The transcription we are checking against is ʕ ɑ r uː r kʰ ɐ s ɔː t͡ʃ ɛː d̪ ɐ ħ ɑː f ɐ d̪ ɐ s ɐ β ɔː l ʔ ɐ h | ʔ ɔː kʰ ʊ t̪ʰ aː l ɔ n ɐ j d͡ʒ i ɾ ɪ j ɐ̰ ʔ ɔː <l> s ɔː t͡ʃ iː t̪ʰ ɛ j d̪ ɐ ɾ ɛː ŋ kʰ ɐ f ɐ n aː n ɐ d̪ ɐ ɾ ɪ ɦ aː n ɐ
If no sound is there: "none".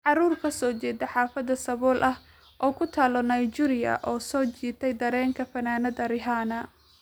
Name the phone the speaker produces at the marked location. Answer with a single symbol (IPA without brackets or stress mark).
none